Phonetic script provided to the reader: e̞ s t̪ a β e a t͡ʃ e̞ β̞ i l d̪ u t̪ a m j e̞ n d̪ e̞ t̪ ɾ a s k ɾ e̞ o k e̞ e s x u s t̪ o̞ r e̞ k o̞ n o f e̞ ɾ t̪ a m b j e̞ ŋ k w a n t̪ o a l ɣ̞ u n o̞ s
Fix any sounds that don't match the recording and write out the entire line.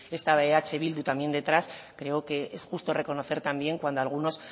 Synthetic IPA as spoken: e̞ s t̪ a β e a t͡ʃ e̞ β̞ i l d̪ u t̪ a m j e̞ n d̪ e̞ t̪ ɾ a s k ɾ e̞ o k e̞ e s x u s t̪ o̞ r e̞ k o̞ n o θ e̞ ɾ t̪ a m b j e̞ ŋ k w a n d̪ o a l ɣ̞ u n o̞ s